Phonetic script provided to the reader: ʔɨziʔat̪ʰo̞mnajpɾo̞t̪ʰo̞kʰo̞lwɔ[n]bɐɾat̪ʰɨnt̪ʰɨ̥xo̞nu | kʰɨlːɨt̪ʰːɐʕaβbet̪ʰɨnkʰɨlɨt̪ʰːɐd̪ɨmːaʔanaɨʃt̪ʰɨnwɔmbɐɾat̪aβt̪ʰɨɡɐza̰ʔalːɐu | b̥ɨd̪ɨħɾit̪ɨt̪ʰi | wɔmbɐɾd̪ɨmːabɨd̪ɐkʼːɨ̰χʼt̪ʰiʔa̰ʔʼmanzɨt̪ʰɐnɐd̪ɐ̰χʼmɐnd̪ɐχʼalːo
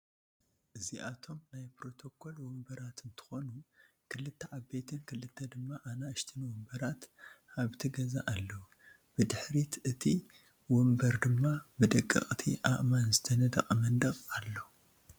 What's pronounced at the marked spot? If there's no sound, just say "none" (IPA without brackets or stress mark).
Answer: m